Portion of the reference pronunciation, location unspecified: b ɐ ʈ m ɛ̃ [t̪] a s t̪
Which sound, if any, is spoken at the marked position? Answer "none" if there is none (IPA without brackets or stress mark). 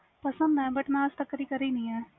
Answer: none